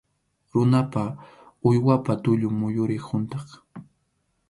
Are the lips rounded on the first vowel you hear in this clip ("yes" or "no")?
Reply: yes